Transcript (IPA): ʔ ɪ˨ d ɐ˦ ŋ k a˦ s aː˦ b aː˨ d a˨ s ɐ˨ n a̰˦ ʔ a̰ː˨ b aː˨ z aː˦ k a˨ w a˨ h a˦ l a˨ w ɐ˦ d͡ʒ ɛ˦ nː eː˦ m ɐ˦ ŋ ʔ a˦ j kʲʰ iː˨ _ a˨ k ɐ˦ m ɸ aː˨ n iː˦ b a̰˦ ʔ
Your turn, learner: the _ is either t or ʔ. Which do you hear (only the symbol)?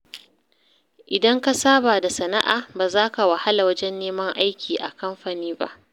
ʔ